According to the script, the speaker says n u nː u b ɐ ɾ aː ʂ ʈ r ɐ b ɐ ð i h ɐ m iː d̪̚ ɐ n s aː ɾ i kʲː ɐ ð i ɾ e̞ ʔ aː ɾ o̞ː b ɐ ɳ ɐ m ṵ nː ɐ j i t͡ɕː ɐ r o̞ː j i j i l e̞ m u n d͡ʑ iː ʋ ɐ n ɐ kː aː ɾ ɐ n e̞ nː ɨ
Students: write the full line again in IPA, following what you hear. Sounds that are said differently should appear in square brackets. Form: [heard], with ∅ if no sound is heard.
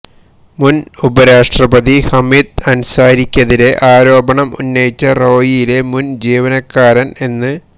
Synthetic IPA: [m] u [n] u b ɐ ɾ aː ʂ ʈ r ɐ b ɐ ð i h ɐ m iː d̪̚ ɐ n s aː ɾ i kʲː ɐ ð i ɾ e̞ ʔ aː ɾ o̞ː b ɐ ɳ ɐ m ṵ nː ɐ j i t͡ɕː ɐ r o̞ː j i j i l e̞ m u n d͡ʑ iː ʋ ɐ n ɐ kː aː ɾ ɐ n e̞ nː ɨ